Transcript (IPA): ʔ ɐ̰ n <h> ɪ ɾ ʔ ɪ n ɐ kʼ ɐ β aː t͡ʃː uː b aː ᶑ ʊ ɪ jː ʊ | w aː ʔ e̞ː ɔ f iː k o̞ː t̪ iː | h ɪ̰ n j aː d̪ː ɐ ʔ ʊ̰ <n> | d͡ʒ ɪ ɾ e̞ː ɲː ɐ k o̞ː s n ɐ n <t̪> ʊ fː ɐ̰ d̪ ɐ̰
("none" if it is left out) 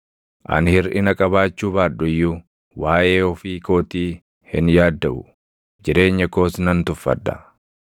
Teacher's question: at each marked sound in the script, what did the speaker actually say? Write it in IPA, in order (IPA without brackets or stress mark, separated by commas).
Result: h, none, t̪